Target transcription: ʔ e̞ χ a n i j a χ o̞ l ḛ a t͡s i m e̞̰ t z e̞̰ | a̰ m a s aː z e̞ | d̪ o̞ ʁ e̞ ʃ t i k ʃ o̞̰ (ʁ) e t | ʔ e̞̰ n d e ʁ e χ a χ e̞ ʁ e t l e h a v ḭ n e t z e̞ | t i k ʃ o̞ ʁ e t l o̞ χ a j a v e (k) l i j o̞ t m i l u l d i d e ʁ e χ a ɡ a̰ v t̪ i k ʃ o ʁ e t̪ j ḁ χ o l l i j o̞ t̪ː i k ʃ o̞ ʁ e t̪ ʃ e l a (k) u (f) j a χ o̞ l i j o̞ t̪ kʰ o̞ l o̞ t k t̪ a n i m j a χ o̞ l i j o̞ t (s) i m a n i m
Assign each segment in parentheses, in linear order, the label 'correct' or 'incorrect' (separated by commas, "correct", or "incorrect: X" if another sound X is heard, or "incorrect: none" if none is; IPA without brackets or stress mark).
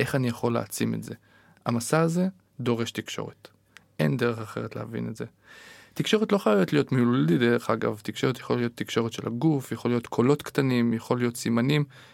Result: correct, incorrect: t, incorrect: ɡ, correct, correct